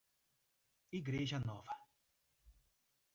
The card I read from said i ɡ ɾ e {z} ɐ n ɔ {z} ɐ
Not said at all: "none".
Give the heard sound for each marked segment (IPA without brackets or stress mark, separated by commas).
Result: ʒ, v